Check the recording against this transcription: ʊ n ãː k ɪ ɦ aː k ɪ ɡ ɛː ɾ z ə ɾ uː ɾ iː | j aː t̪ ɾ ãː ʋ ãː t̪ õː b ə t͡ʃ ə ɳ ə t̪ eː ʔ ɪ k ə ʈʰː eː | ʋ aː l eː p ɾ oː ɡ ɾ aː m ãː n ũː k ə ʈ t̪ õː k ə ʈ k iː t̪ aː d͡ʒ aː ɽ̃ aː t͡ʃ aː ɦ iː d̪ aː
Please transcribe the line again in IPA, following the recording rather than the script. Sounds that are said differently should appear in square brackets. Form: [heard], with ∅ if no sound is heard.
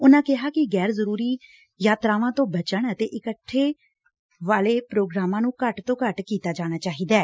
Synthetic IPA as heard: ʊ n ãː k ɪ ɦ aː k ɪ ɡ ɛː ɾ z ə ɾ uː ɾ iː | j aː t̪ ɾ [aː] ʋ ãː t̪ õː b ə t͡ʃ ə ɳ ə t̪ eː ʔ ɪ k ə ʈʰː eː | ʋ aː l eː p ɾ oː ɡ ɾ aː m ãː n ũː k ə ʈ t̪ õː k ə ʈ k iː t̪ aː d͡ʒ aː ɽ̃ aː t͡ʃ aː ɦ iː d̪ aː